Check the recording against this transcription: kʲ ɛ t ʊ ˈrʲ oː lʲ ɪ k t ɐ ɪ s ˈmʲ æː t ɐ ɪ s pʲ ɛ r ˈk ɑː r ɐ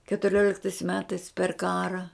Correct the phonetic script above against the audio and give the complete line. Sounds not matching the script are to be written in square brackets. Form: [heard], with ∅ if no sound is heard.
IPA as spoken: kʲ ɛ t ʊ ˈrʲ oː lʲ ɪ k t ɐ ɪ s ˈmʲ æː t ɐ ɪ s pʲ ɛ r ˈk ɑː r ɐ